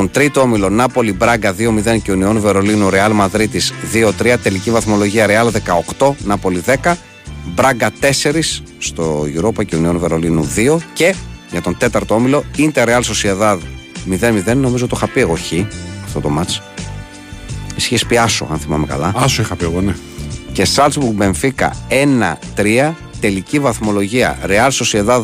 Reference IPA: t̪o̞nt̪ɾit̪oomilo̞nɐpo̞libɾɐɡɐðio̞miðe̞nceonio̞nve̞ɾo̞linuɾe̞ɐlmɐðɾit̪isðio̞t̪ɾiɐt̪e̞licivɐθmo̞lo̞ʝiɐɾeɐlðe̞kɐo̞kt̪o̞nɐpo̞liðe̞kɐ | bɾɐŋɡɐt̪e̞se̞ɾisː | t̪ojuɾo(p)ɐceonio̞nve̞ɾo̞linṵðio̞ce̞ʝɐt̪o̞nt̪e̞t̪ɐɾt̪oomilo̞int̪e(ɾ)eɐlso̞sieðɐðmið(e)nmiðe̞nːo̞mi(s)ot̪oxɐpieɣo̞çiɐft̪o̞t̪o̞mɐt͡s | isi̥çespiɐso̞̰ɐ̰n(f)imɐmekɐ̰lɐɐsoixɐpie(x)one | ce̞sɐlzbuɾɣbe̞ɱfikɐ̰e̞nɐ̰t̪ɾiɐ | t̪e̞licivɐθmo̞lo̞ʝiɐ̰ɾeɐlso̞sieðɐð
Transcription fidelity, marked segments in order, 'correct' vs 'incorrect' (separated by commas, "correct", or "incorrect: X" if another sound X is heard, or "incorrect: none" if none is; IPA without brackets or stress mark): correct, correct, correct, incorrect: z, incorrect: θ, incorrect: ɣ